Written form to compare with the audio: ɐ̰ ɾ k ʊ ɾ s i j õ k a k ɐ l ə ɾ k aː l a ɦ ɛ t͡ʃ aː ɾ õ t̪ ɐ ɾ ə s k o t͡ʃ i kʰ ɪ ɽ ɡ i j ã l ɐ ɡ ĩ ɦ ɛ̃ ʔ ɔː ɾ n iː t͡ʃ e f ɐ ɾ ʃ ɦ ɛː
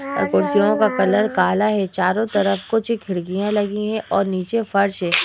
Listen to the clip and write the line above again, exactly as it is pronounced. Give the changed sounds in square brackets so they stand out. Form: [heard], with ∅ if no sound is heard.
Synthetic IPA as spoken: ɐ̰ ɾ k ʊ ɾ s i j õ k a k ɐ l ə ɾ k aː l a ɦ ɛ t͡ʃ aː ɾ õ t̪ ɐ ɾ ə [f] k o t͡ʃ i kʰ ɪ ɽ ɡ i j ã l ɐ ɡ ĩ ɦ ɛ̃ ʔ ɔː ɾ n iː t͡ʃ e f ɐ ɾ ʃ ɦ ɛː